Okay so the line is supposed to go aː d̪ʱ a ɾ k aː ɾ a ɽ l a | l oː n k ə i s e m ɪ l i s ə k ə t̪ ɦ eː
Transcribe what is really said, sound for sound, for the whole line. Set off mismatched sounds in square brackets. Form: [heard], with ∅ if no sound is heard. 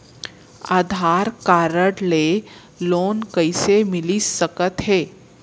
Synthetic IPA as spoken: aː d̪ʱ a ɾ k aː ɾ [ə] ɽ l [e] | l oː n k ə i s e m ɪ l i s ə k ə t̪ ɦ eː

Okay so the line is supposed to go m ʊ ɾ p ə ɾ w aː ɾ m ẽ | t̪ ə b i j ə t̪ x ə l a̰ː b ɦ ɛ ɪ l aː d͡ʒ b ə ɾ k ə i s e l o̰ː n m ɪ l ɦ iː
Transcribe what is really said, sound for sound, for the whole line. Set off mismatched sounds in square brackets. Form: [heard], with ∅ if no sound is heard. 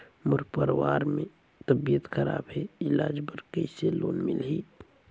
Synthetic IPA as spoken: m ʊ ɾ p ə ɾ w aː ɾ m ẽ | t̪ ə b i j ə t̪ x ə [ɾ] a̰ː b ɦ ɛ ɪ l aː d͡ʒ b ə ɾ k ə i s e l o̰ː n m ɪ l ɦ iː

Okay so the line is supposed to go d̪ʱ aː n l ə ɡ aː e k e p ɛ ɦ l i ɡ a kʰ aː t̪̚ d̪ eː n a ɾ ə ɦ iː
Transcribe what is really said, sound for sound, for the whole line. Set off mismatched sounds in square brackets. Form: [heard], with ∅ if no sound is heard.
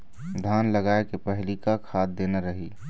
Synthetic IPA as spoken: d̪ʱ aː n l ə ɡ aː e k e p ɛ ɦ l i [k] a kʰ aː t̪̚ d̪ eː n a ɾ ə ɦ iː

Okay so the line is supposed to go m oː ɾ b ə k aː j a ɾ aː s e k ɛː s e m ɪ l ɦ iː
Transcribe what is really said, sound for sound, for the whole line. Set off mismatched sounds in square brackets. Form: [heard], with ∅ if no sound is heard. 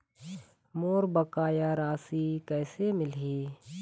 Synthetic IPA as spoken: m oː ɾ b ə k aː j a ɾ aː s [i] k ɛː s e m ɪ l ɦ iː

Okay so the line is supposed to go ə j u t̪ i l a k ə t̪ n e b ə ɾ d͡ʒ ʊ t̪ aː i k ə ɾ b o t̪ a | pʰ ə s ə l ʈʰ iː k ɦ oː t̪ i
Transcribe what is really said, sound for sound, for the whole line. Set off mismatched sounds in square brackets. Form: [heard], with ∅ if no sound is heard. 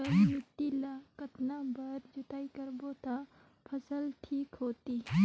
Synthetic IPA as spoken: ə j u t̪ i l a k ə t̪ n [a] b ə ɾ d͡ʒ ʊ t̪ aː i k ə ɾ b o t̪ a | pʰ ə s ə l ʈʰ iː k ɦ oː t̪ i

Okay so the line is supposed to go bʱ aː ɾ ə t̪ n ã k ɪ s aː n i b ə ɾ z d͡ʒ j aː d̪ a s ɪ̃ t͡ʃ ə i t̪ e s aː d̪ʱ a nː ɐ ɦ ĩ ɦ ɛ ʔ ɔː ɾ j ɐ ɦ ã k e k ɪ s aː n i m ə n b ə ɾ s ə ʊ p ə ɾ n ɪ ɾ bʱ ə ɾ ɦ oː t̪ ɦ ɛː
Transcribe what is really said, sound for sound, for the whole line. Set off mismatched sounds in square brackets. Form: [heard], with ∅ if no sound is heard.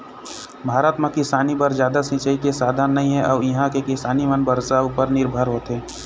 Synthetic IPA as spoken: bʱ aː ɾ ə t̪ [m] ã k ɪ s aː n i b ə ɾ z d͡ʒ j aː d̪ a s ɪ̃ t͡ʃ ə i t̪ e s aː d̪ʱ a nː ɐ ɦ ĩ ɦ ɛ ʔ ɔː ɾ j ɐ ɦ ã k e k ɪ s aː n i m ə n b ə ɾ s [a] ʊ p ə ɾ n ɪ ɾ bʱ ə ɾ ɦ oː t̪ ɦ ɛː

